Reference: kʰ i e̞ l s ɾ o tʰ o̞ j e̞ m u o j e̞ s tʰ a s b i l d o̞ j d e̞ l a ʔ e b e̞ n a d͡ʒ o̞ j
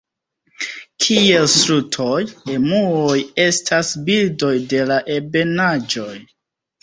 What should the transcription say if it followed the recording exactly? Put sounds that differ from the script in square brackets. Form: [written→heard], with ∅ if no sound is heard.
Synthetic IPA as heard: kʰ i e̞ l s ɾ [o→u] tʰ o̞ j e̞ m u o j e̞ s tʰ a s b i l d o̞ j d e̞ l a ʔ e b e̞ n a d͡ʒ o̞ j

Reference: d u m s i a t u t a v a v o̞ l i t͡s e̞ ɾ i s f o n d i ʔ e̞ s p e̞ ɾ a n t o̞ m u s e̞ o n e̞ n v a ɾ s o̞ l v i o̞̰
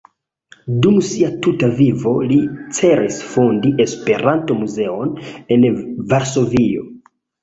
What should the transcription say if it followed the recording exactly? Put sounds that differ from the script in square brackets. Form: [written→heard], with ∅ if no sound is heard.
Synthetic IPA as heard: d u m s i a t u t a v [a→i] v o̞ l i t͡s e̞ ɾ i s f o n d i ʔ e̞ s p e̞ ɾ a n t o̞ m u [s→z] e̞ o n e̞ n v a ɾ s o̞ [l→∅] v i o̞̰

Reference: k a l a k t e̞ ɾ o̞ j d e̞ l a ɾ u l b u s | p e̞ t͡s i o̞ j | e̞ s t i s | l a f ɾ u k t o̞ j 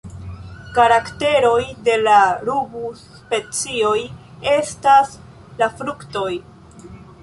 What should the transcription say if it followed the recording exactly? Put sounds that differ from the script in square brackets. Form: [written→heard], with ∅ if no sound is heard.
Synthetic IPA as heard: k a [l→ɾ] a k t e̞ ɾ o̞ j d e̞ l a ɾ u [l→∅] b u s | p e̞ t͡s i o̞ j | e̞ s t [i→a] s | l a f ɾ u k t o̞ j

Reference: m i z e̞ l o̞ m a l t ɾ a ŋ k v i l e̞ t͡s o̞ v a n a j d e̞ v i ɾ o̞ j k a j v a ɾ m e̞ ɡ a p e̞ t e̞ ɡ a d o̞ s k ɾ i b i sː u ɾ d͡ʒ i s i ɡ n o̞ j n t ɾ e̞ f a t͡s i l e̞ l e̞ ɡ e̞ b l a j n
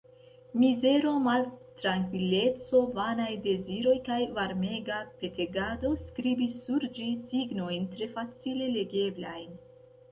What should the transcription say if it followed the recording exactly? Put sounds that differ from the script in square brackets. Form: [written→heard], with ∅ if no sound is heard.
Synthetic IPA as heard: m i z e̞ [l→ɾ] o̞ m a l t ɾ a ŋ k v i l e̞ t͡s o̞ v a n a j d e̞ [v→z] i ɾ o̞ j k a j v a ɾ m e̞ ɡ a p e̞ t e̞ ɡ a d o̞ s k ɾ i b i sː u ɾ d͡ʒ i s i ɡ n o̞ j n t ɾ e̞ f a t͡s i l e̞ l e̞ ɡ e̞ b l a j n

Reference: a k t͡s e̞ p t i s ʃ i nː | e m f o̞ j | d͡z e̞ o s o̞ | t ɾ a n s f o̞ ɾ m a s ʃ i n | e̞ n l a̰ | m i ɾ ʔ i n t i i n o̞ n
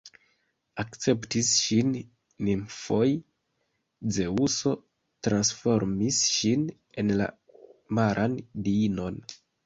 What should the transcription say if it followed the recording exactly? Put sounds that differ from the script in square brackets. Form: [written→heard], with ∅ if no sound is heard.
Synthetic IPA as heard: a k t͡s e̞ p t i s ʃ i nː | [e→i] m f o̞ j | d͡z e̞ [o→u] s o̞ | t ɾ a n s f o̞ ɾ m [a→i] s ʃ i n | e̞ n l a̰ | m [i→a] ɾ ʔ [i→a] n [t→d] i i n o̞ n

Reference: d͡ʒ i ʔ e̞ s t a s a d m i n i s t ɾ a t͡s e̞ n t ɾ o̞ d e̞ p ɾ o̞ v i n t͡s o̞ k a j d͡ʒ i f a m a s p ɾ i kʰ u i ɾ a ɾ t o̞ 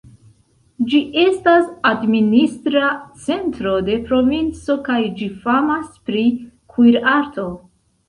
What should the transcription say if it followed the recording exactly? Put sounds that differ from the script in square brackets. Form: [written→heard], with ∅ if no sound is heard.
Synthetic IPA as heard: d͡ʒ i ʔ e̞ s t a s a d m i n i s t ɾ a t͡s e̞ n t ɾ o̞ d e̞ p ɾ o̞ v i n t͡s o̞ k a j d͡ʒ i f a m a s p ɾ i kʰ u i ɾ a ɾ t o̞

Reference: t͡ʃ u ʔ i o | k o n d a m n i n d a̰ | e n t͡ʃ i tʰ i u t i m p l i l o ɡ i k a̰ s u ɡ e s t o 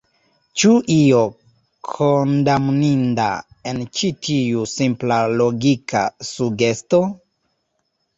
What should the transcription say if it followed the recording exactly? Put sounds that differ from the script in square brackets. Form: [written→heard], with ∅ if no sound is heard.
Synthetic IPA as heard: t͡ʃ u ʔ i o | [k→kʰ] o n d a m n i n d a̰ | e n t͡ʃ i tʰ i u [t→s] i m p l [i→a] l o ɡ i k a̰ s u ɡ e s t o

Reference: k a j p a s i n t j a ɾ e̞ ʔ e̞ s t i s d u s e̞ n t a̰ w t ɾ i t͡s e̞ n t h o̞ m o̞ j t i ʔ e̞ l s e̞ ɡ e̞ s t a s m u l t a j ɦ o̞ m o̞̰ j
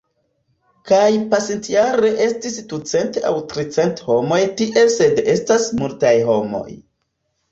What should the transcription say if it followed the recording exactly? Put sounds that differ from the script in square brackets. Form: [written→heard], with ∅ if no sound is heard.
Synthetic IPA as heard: k a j p a s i n t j a ɾ e̞ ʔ e̞ s t i s d u [s→t͡s] e̞ n t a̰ w t ɾ i t͡s e̞ n t h o̞ m o̞ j t i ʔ e̞ l s e̞ [ɡ→d] e̞ s t a s m u l t a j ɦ o̞ m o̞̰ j

